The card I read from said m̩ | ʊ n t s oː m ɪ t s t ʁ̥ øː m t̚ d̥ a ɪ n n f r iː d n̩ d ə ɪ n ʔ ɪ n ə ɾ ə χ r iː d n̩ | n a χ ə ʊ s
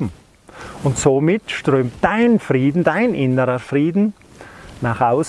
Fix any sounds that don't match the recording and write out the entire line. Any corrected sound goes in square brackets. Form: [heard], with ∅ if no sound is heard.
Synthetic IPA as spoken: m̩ | ʊ n t s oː m ɪ t [ʃ] t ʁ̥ øː m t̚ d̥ a ɪ n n f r iː d n̩ d [a] ɪ n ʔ ɪ n ə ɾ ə [f] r iː d n̩ | n a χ [a] ʊ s